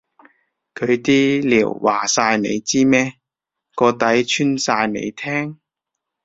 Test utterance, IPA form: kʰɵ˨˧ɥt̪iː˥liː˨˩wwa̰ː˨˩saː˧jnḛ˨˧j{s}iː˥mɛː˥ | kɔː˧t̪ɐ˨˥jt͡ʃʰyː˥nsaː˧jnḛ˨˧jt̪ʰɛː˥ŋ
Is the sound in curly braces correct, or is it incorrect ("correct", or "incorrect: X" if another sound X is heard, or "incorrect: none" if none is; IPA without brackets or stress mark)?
incorrect: t͡s